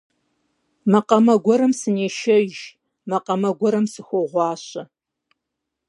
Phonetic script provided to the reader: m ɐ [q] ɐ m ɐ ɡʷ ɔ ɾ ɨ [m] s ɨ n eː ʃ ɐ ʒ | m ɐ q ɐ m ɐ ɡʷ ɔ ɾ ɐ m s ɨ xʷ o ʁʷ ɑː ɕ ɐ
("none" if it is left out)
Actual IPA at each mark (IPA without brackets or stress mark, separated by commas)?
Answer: q, m